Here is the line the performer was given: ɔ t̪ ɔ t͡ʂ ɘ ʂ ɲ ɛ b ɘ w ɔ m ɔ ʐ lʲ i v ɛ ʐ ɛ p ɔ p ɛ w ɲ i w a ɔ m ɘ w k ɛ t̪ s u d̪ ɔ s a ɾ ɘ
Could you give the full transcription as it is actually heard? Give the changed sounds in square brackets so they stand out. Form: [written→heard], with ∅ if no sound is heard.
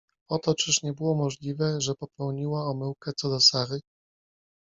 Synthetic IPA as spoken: ɔ t̪ ɔ t͡ʂ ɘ ʂ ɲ ɛ b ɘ w ɔ m ɔ ʐ lʲ i v ɛ ʐ ɛ p ɔ p ɛ w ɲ i w a ɔ m ɘ w k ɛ t̪ s [u→ɔ] d̪ ɔ s a ɾ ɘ